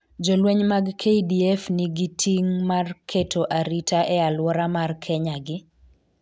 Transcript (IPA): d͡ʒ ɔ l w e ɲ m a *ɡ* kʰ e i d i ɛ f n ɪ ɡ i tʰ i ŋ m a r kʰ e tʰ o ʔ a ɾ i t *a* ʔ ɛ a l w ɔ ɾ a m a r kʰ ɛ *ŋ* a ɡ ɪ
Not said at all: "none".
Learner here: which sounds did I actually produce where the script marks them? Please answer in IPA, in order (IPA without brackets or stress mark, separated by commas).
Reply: ɡ, a, ɲ